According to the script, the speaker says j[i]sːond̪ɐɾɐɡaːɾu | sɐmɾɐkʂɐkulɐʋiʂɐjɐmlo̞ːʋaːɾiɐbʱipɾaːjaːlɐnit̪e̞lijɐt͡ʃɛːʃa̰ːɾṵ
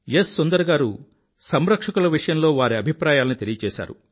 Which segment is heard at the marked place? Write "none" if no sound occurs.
e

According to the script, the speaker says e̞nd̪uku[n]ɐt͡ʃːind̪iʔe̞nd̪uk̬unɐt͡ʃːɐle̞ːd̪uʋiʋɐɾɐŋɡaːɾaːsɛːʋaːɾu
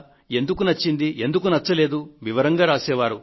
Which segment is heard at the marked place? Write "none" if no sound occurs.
n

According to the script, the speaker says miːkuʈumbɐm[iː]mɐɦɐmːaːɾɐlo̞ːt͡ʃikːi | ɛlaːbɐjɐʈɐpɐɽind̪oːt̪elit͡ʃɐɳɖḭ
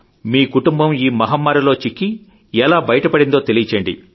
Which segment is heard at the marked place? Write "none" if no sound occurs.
iː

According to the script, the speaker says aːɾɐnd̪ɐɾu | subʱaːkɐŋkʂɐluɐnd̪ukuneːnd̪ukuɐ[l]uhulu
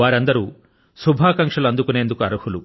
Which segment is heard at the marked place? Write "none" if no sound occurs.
ɾ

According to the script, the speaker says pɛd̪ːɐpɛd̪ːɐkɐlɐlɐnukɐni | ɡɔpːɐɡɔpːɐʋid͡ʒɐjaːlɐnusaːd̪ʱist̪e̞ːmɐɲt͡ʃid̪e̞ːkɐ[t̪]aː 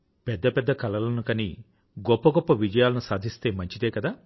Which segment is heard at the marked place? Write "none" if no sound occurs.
d̪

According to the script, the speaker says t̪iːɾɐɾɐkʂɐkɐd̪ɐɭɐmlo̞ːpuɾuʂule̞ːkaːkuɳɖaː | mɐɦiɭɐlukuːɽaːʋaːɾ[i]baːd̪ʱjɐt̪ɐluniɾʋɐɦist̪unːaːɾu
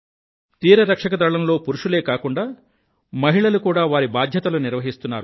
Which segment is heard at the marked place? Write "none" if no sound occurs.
i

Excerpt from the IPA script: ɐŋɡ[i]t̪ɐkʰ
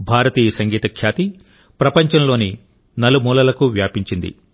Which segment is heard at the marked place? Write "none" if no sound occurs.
iː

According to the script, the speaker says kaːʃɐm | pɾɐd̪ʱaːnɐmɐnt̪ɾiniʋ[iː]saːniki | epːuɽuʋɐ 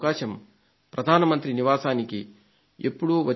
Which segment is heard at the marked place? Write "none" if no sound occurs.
aː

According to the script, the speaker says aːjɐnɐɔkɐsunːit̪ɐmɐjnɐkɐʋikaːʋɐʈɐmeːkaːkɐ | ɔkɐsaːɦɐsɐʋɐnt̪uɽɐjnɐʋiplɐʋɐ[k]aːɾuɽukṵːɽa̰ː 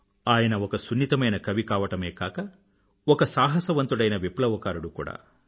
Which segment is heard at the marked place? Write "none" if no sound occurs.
k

